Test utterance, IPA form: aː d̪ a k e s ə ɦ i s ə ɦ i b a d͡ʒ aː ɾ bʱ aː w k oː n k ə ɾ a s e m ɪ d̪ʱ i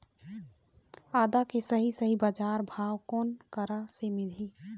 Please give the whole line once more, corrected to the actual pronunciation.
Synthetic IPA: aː d̪ a k e s ə ɦ i s ə ɦ i b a d͡ʒ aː ɾ bʱ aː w k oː n k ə ɾ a s e m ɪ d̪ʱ i